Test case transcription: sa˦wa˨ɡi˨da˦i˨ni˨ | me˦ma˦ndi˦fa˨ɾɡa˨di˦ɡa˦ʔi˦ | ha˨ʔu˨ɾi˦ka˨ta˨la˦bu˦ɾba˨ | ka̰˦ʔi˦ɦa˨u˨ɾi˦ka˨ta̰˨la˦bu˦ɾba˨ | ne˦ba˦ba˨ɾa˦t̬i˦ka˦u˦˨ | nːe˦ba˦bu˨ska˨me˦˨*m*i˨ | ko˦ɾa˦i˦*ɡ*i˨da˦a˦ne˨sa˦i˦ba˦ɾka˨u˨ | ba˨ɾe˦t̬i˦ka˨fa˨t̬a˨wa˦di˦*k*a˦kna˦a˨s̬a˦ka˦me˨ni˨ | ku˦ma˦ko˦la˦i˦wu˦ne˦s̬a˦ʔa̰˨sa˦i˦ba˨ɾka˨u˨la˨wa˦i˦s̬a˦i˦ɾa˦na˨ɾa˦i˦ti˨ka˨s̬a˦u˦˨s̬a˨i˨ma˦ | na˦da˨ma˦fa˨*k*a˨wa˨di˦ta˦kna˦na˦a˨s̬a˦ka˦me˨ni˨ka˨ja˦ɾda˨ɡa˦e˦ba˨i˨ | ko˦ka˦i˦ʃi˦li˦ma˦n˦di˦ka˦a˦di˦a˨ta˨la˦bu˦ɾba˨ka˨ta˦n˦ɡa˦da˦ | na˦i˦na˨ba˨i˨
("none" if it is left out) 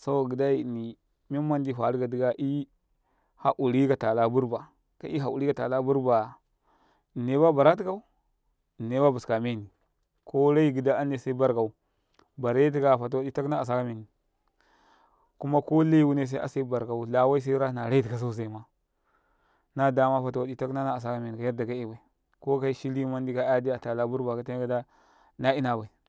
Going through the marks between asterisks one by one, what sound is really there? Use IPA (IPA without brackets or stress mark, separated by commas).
n, ɡ, t, t